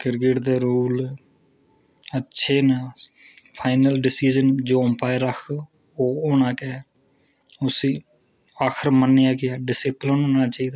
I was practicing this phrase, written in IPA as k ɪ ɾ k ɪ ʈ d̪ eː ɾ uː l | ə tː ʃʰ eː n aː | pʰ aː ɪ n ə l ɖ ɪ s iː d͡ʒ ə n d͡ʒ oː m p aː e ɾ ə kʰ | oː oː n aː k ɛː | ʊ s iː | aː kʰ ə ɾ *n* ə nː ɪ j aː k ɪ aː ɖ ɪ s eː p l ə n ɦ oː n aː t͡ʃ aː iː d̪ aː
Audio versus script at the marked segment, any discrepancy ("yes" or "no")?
yes